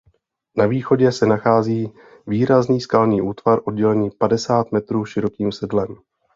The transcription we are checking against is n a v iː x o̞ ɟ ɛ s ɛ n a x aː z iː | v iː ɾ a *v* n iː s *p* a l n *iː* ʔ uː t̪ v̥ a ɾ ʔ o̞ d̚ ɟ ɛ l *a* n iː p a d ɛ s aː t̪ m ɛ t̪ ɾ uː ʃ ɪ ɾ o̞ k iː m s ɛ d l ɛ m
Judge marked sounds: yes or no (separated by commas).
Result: no, no, yes, no